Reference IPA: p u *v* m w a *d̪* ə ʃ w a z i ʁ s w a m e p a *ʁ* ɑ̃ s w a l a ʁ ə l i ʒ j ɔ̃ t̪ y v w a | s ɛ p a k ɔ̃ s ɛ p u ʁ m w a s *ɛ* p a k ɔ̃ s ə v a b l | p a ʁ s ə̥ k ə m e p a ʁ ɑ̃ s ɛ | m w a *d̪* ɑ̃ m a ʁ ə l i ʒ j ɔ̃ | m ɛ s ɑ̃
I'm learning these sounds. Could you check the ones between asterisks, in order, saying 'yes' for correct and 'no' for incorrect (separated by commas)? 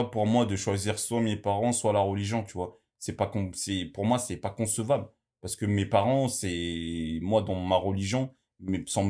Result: no, yes, yes, yes, yes